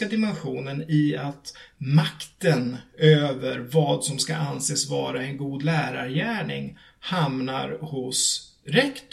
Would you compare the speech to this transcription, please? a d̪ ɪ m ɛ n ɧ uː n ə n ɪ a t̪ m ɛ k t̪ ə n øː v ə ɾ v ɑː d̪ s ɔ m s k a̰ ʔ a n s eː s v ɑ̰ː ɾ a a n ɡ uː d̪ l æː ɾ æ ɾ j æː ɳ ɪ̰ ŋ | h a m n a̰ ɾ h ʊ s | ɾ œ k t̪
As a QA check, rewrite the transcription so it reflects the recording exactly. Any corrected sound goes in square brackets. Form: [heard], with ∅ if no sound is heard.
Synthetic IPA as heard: a d̪ ɪ m ɛ n ɧ uː n ə n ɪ a t̪ m [a] k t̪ ə n øː v ə ɾ v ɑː d̪ s ɔ m s k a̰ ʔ a n s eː s v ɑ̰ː ɾ a [ɛ] n ɡ uː d̪ l æː ɾ [a] ɾ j æː ɳ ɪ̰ ŋ | h a m n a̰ ɾ h ʊ s | ɾ [ɛ] k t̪